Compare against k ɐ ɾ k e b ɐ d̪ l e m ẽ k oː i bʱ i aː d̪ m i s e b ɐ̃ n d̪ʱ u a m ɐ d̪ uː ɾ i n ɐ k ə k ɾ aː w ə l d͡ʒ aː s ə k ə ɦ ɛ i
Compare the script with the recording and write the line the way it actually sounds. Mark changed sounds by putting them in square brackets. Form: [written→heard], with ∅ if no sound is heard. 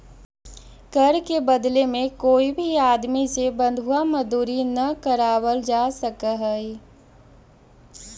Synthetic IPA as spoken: k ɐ ɾ k e b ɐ d̪ l e m ẽ k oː i bʱ i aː d̪ m i s e b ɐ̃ n d̪ʱ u a m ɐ d̪ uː ɾ i n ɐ k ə [k→∅] ɾ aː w ə l d͡ʒ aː s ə k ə ɦ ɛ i